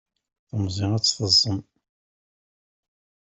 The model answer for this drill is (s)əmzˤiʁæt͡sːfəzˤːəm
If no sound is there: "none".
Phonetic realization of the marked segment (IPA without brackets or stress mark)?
θ